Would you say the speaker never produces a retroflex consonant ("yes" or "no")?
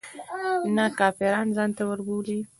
yes